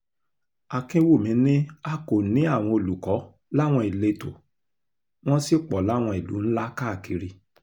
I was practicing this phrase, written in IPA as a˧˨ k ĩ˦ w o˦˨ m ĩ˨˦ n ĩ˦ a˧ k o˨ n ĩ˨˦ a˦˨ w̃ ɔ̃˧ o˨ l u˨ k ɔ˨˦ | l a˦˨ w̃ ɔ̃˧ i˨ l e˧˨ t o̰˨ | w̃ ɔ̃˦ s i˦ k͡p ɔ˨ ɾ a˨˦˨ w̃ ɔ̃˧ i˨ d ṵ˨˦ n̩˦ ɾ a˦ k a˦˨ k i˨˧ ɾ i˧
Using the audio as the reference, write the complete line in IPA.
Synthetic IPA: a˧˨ k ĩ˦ w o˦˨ m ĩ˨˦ n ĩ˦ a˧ k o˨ n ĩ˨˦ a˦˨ w̃ ɔ̃˧ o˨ l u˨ k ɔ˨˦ | l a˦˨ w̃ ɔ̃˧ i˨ l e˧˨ t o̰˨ | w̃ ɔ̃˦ s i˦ k͡p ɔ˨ l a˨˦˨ w̃ ɔ̃˧ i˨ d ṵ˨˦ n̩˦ l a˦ k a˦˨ k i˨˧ ɾ i˧